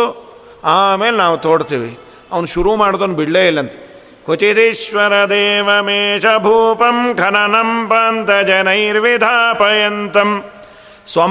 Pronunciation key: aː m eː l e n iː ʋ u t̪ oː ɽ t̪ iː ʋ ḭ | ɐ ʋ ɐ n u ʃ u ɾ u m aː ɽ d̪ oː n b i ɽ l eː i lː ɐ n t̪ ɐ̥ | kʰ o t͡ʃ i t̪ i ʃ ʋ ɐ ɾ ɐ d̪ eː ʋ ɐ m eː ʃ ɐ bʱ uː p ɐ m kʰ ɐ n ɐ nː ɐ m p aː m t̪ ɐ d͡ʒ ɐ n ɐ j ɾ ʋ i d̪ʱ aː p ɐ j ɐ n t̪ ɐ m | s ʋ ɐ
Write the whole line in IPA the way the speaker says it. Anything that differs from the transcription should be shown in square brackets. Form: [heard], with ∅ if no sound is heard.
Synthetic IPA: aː m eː l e n [aː] ʋ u t̪ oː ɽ t̪ iː ʋ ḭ | ɐ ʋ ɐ n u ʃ u ɾ u m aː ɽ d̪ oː n b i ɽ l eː i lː ɐ n t̪ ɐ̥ | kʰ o t͡ʃ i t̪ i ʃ ʋ ɐ ɾ ɐ d̪ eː ʋ ɐ m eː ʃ ɐ bʱ uː p ɐ m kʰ ɐ n ɐ [n] ɐ m p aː [n] t̪ ɐ d͡ʒ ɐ n ɐ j ɾ ʋ i d̪ʱ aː p ɐ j ɐ n t̪ ɐ m | s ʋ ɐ